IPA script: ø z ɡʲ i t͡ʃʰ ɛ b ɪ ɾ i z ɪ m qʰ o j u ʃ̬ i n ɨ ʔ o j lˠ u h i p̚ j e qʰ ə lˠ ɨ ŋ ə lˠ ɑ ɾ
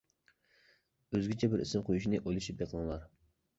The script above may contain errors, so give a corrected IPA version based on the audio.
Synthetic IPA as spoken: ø z ɡʲ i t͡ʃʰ ɛ b ɪ ɾ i s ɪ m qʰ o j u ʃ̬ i n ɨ ʔ o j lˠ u ʃ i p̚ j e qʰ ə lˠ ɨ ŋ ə lˠ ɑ ɾ